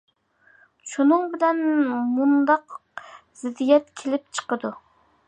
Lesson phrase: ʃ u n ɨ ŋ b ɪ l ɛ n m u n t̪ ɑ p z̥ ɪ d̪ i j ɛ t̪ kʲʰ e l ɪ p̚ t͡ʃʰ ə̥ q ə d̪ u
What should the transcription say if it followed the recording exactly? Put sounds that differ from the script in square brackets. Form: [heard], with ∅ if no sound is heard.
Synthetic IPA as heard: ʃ u n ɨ ŋ b ɪ l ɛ n m u n [d̪] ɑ [q] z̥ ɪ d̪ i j ɛ t̪ kʲʰ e l ɪ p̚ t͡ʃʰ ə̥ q ə d̪ u

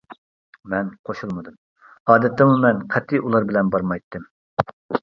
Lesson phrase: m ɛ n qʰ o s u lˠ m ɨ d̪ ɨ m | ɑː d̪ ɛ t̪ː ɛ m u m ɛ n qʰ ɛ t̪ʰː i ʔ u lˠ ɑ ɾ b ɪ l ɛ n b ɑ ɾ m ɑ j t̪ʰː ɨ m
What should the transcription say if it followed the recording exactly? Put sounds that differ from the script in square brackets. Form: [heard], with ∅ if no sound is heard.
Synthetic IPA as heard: m ɛ n qʰ o [ʃ] u lˠ m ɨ d̪ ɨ m | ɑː d̪ ɛ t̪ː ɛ m u m ɛ n qʰ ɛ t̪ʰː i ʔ u lˠ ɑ ɾ b ɪ l ɛ n b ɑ ɾ m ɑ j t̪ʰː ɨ m

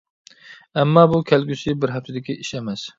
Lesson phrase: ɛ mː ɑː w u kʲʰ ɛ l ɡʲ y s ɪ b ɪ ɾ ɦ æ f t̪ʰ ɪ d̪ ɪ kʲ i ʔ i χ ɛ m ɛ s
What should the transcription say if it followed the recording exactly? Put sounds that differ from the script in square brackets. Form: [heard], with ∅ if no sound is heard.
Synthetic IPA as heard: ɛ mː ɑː [b] u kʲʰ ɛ l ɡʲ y s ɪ b ɪ ɾ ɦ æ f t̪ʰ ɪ d̪ ɪ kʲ i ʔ i [ʃ] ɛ m ɛ s

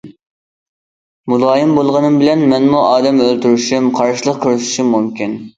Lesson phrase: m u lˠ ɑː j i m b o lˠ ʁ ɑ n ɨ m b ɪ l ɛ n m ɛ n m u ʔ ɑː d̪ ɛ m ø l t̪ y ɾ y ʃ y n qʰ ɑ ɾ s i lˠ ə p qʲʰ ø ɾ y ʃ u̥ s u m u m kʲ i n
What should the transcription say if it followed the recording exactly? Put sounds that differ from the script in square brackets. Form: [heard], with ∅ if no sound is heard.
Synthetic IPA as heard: m u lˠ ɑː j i m b o lˠ ʁ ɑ n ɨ m b ɪ l ɛ n m ɛ n m u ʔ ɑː d̪ ɛ m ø l t̪ y ɾ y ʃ y [m] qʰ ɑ ɾ [ʃ] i lˠ ə [q] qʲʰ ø ɾ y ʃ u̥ [ʃ] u m u m kʲ i n

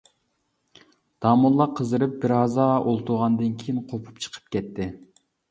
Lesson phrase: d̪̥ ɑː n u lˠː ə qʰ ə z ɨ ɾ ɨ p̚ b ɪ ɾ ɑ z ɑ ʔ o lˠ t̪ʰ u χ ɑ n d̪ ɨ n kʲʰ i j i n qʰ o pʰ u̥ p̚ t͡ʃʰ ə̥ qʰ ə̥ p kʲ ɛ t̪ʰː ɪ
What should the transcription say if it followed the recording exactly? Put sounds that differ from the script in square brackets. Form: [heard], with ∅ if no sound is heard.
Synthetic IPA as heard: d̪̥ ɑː [m] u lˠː [ɑ] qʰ ə z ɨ ɾ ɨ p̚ b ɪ ɾ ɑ z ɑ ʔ o lˠ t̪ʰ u [ʁ] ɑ n d̪ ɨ n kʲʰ i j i n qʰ o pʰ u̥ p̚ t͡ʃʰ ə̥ qʰ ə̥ p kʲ ɛ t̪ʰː ɪ

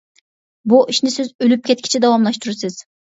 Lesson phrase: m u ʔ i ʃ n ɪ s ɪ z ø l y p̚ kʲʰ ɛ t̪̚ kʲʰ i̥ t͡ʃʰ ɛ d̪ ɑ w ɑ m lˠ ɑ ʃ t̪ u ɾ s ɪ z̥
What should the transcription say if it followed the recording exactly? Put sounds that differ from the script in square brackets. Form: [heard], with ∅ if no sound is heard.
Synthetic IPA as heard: [b] u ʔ i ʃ n ɪ s ɪ z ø l y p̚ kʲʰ ɛ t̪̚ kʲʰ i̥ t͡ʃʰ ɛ d̪ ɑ w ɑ m lˠ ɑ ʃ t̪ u ɾ s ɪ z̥

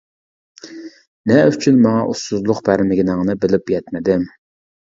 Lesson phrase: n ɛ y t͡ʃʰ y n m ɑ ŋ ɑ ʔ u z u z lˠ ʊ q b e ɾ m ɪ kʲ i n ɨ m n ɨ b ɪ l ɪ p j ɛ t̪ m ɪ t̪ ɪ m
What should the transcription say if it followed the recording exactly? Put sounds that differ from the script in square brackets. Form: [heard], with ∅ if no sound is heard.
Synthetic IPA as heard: n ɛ y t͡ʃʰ y n m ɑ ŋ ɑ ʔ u [s] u z lˠ ʊ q b [æ] ɾ m ɪ [ɡʲ] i n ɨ [ŋ] n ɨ b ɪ l ɪ p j ɛ t̪ m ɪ [d̪] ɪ m

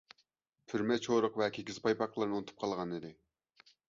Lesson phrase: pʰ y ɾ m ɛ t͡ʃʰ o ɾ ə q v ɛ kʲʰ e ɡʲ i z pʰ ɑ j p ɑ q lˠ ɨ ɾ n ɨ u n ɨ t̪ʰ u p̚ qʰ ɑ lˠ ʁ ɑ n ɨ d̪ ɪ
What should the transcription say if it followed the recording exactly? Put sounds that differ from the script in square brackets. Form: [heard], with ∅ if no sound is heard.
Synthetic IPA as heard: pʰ y ɾ m ɛ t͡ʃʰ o ɾ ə q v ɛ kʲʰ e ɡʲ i z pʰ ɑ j p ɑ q lˠ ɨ ɾ n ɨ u n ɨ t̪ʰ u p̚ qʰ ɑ lˠ ʁ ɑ n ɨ d̪ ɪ

